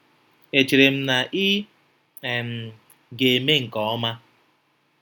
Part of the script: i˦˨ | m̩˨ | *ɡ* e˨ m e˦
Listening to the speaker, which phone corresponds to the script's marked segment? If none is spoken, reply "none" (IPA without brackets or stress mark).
ɡ